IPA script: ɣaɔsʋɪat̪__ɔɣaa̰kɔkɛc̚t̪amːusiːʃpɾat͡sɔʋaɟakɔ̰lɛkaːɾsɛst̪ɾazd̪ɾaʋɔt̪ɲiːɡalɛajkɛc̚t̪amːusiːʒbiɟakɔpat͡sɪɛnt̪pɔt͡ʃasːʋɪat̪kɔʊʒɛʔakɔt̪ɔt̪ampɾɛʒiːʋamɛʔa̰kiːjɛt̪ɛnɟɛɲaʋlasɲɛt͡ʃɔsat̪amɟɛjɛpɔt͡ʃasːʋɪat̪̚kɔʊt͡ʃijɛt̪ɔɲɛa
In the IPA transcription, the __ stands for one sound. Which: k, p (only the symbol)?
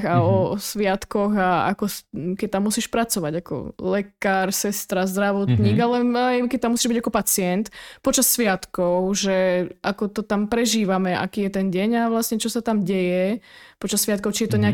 k